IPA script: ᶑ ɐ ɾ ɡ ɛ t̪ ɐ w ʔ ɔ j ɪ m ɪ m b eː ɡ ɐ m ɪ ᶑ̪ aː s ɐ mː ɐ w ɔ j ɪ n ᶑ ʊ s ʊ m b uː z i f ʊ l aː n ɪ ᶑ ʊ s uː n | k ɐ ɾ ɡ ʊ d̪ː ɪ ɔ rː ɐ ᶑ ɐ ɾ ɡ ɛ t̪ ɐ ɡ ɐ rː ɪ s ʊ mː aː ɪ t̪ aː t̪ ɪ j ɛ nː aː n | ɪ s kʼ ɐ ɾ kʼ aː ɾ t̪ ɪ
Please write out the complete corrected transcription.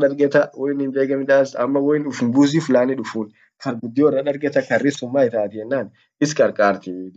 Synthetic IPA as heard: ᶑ ɐ ɾ ɡ ɛ t̪ ɐ w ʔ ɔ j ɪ n ɪ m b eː ɡ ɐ m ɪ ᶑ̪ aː s ɐ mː ɐ w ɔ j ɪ n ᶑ ʊ f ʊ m b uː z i f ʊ l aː n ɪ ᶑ ʊ f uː n | k ɐ ɾ ɡ ʊ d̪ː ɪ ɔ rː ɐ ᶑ ɐ ɾ ɡ ɛ t̪ ɐ k ɐ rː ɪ s ʊ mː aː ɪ t̪ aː t̪ ɪ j ɛ nː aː n | ɪ s kʼ ɐ ɾ kʼ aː ɾ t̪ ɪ